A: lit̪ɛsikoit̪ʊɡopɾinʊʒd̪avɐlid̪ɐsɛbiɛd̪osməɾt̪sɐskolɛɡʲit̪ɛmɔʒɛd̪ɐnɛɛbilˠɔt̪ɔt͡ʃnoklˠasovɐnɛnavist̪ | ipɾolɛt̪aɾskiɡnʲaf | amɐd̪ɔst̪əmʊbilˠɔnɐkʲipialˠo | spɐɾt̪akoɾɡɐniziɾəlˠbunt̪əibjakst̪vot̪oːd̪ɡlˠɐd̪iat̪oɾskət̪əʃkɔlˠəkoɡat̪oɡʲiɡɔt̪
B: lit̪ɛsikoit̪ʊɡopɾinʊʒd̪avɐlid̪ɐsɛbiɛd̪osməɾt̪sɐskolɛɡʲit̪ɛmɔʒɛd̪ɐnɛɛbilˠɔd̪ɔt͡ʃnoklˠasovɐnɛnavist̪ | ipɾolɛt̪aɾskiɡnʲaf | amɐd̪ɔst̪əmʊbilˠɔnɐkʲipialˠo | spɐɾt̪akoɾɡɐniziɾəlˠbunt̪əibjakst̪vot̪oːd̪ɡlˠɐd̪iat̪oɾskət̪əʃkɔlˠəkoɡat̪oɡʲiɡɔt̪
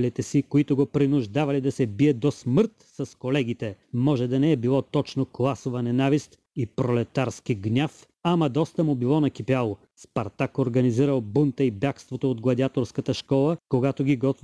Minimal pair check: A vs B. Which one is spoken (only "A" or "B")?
A